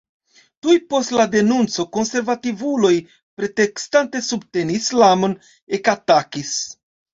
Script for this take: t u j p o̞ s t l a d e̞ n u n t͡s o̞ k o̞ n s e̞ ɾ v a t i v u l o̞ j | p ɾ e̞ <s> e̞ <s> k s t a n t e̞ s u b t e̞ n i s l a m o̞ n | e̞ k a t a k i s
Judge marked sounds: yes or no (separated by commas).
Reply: no, no